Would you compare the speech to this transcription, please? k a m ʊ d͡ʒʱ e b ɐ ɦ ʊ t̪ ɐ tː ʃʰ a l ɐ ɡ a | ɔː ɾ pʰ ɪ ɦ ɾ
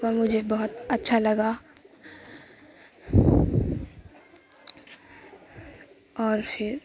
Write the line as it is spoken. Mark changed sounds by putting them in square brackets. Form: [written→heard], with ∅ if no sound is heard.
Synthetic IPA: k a m ʊ d͡ʒʱ e b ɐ ɦ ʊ t̪ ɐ tː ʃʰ a l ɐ ɡ a | ɔː ɾ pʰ ɪ [ɦ→∅] ɾ